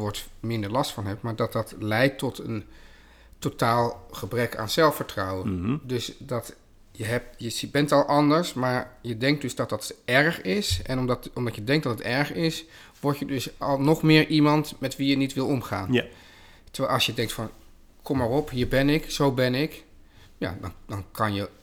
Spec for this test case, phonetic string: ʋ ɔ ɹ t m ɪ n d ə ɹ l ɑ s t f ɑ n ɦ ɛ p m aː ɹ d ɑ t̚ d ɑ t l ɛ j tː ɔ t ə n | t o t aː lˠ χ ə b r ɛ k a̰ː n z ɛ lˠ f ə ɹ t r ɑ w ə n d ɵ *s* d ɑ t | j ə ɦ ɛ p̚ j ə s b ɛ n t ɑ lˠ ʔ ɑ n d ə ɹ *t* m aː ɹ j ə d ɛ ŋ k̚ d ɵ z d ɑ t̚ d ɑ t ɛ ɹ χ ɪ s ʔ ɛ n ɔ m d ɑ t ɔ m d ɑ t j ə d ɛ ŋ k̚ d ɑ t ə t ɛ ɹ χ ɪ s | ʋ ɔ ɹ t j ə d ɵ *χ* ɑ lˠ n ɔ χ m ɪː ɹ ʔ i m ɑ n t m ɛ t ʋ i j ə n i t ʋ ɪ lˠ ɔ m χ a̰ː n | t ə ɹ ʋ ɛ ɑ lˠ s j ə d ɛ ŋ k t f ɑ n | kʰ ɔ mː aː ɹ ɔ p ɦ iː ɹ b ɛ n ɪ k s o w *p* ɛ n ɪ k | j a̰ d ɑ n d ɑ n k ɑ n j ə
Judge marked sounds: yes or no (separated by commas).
yes, no, no, no